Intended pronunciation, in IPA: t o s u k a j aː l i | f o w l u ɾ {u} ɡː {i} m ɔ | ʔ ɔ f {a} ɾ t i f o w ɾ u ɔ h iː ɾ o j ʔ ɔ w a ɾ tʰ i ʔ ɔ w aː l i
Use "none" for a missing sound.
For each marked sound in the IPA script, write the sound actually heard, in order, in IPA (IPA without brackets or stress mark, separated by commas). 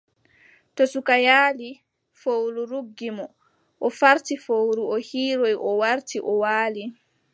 u, i, a